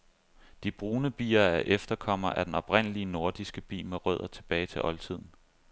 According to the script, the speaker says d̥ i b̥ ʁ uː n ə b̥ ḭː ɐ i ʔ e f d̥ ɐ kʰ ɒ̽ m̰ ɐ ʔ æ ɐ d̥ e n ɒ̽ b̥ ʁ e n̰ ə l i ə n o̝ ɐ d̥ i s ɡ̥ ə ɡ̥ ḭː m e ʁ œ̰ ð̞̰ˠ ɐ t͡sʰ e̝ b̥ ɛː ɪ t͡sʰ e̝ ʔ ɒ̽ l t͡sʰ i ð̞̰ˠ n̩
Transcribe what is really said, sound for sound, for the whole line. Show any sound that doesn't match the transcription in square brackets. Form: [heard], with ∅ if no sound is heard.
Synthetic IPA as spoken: d̥ i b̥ ʁ uː n ə b̥ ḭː ɐ [æ] ʔ e f d̥ ɐ kʰ ɒ̽ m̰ ɐ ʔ æ ɐ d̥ e n ɒ̽ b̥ ʁ e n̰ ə l i ə n o̝ ɐ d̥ i s ɡ̥ ə [b̥] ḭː m e ʁ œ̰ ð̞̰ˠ ɐ t͡sʰ e̝ b̥ ɛː ɪ t͡sʰ e̝ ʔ ɒ̽ l t͡sʰ i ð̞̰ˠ n̩